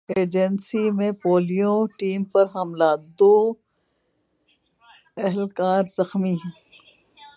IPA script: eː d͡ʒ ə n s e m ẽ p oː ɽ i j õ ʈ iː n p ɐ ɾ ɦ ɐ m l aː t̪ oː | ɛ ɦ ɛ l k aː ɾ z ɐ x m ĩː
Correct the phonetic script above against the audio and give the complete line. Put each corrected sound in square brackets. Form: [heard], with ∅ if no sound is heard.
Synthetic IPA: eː d͡ʒ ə n s [i] m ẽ p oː [l] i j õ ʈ iː [m] p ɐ ɾ ɦ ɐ m l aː [d̪] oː | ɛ ɦ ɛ l k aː ɾ z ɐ x m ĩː